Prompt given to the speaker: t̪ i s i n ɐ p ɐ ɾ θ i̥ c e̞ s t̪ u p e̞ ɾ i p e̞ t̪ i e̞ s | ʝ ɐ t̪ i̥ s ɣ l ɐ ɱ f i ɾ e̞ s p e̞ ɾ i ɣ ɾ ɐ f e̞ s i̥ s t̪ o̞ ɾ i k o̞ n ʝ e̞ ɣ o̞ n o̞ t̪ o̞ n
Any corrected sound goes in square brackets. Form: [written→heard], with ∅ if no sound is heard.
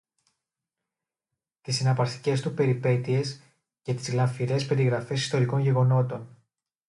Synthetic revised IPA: t̪ i s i n ɐ p ɐ ɾ θ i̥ c e̞ s t̪ u p e̞ ɾ i p e̞ t̪ i e̞ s | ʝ ɐ t̪ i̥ [s→z] ɣ l ɐ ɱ f i ɾ e̞ s p e̞ ɾ i ɣ ɾ ɐ f e̞ s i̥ s t̪ o̞ ɾ i k o̞ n ʝ e̞ ɣ o̞ n o̞ t̪ o̞ n